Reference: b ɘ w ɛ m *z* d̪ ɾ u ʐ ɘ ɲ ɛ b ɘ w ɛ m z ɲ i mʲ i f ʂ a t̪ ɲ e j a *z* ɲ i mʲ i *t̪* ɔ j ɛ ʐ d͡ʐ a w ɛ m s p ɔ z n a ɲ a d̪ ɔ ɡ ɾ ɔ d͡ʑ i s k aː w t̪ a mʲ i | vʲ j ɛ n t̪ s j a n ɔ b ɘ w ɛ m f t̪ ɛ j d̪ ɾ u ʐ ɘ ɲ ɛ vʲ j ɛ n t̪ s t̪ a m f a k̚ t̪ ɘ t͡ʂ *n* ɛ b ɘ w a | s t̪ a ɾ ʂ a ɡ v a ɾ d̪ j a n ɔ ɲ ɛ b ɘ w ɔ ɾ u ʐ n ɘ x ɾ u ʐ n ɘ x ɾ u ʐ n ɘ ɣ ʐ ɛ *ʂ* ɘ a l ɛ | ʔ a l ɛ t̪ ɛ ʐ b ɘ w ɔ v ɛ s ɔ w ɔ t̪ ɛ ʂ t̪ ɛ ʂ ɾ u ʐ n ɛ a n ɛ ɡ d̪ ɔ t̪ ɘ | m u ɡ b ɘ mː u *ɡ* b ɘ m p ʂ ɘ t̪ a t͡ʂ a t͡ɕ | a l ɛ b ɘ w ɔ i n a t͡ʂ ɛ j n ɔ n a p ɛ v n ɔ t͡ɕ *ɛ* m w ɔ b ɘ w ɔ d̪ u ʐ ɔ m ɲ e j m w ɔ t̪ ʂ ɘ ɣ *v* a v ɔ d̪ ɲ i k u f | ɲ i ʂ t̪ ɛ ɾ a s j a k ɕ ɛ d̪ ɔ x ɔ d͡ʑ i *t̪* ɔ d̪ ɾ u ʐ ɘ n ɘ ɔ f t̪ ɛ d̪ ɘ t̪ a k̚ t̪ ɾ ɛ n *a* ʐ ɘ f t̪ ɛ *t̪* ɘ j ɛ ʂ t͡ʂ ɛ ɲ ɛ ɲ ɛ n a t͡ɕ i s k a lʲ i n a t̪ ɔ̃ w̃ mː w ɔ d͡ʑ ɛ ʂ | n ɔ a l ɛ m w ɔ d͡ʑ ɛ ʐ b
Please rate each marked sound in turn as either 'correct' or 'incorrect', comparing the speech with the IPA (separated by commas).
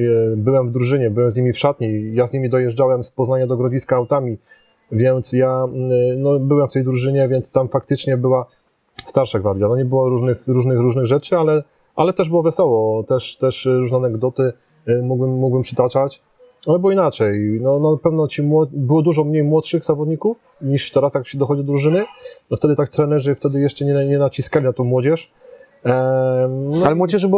incorrect, correct, incorrect, incorrect, incorrect, correct, incorrect, incorrect, incorrect, incorrect, incorrect